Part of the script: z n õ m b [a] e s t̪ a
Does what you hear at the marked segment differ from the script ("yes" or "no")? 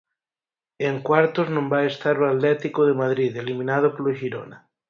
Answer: no